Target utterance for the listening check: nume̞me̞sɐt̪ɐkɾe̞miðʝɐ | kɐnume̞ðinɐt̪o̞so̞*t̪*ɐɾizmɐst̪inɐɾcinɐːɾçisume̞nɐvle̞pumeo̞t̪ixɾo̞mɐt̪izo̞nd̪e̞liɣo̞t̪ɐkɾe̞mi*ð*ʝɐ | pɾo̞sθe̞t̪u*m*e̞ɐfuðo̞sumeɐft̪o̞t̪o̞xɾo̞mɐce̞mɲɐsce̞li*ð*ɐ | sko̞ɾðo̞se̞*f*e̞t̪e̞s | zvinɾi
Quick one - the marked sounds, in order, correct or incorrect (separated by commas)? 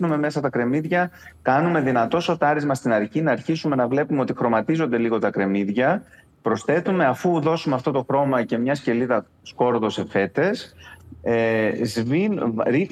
correct, correct, correct, correct, correct